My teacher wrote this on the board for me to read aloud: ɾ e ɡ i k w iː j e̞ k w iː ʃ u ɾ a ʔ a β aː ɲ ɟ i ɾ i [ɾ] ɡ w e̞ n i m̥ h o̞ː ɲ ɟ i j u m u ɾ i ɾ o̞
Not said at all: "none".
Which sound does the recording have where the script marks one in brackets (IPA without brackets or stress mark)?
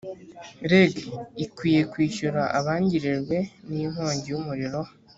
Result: ɾ